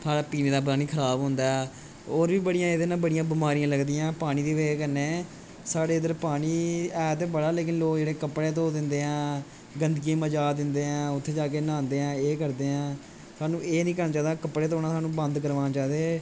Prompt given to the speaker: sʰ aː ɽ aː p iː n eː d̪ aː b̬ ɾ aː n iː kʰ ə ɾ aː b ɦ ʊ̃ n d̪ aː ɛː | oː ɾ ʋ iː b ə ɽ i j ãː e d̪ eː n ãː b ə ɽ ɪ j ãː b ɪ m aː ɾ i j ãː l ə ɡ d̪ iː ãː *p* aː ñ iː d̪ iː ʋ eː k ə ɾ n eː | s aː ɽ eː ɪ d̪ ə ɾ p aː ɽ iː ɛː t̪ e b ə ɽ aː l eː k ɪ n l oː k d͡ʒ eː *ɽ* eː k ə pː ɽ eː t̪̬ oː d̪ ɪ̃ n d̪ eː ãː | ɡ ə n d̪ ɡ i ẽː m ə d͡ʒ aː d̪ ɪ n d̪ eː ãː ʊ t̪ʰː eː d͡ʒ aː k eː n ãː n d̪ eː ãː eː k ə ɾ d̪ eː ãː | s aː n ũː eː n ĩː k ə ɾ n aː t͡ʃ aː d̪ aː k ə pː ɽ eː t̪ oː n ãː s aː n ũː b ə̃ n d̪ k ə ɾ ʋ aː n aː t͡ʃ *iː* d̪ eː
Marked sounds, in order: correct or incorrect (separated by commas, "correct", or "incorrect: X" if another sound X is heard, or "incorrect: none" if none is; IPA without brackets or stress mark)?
correct, correct, incorrect: aː